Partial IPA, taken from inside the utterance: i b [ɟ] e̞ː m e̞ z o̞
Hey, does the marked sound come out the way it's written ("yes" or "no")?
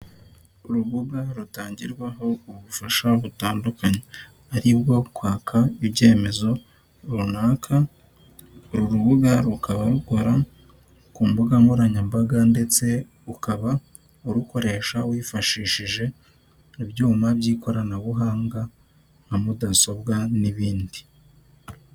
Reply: yes